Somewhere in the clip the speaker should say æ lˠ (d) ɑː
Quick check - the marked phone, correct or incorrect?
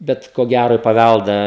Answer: correct